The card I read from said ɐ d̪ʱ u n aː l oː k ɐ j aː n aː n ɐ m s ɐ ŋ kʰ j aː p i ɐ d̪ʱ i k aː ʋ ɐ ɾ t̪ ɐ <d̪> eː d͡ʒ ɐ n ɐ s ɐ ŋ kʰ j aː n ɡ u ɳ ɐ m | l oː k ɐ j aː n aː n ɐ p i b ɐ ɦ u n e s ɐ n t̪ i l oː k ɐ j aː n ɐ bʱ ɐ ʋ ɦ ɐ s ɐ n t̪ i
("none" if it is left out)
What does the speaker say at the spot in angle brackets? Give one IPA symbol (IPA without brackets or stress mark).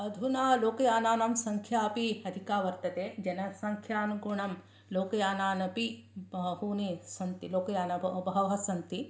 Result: t̪